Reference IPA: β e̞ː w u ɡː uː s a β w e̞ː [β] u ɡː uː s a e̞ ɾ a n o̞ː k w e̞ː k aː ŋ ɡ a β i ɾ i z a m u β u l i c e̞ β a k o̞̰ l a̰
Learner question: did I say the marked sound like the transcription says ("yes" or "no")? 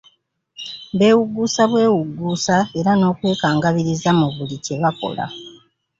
no